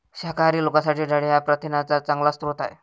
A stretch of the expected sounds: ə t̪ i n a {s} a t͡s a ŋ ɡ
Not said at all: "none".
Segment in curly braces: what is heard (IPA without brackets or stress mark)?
t͡s